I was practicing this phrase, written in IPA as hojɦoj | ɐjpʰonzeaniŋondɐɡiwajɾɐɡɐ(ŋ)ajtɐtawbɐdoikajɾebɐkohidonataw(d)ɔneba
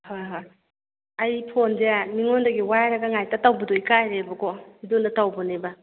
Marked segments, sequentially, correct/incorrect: correct, incorrect: b

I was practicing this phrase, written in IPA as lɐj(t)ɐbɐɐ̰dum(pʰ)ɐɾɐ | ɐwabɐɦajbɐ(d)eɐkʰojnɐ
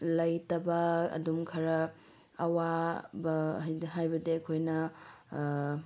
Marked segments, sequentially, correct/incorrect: correct, incorrect: kʰ, correct

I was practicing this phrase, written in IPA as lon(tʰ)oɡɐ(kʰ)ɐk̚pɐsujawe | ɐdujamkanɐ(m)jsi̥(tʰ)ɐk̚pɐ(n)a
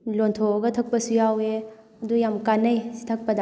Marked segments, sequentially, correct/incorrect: correct, incorrect: tʰ, incorrect: none, correct, incorrect: d

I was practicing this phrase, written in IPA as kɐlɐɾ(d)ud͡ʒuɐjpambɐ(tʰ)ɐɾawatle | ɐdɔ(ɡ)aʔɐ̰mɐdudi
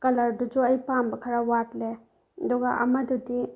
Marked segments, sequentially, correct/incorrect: correct, incorrect: kʰ, correct

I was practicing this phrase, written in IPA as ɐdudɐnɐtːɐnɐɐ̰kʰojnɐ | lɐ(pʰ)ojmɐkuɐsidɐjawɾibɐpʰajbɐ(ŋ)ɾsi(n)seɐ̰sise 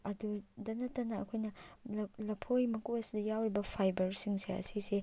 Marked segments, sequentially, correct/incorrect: correct, incorrect: none, incorrect: ŋ

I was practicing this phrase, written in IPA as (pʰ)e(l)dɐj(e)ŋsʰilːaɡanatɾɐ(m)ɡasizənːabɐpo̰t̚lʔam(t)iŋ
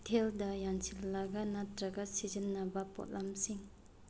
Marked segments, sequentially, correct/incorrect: incorrect: tʰ, correct, incorrect: a, incorrect: none, incorrect: s

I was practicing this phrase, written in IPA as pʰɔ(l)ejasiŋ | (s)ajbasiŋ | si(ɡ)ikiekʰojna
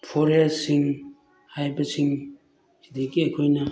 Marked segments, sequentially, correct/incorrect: incorrect: ɾ, incorrect: h, incorrect: d

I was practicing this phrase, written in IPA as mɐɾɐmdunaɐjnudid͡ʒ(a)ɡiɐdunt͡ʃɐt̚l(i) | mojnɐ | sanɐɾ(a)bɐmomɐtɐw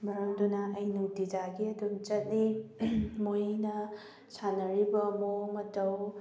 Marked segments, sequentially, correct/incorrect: correct, correct, incorrect: i

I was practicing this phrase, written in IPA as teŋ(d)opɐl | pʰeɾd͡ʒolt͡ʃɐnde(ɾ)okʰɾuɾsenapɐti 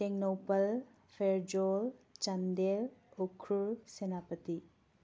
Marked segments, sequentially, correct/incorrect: incorrect: n, incorrect: l

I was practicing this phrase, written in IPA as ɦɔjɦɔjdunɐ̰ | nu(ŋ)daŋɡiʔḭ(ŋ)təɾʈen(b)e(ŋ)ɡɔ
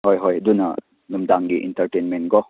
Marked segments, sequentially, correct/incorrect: incorrect: m, incorrect: n, incorrect: m, incorrect: n

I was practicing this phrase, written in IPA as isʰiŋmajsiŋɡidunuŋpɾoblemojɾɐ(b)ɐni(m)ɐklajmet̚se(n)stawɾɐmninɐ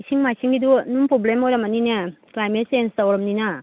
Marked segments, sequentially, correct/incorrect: incorrect: m, incorrect: n, correct

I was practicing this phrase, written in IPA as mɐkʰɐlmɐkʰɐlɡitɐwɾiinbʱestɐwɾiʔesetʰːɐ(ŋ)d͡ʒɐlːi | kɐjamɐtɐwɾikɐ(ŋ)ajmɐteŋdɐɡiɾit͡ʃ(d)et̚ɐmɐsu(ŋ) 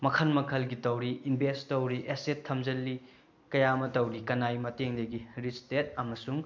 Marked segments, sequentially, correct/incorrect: incorrect: m, incorrect: n, incorrect: t, correct

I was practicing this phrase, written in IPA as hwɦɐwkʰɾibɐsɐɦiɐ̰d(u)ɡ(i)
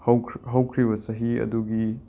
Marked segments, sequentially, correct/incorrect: correct, correct

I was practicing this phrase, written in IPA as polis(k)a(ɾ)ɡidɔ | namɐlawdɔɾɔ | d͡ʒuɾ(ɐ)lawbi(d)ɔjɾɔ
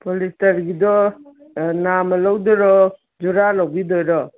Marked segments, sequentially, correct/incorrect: incorrect: t, correct, incorrect: a, correct

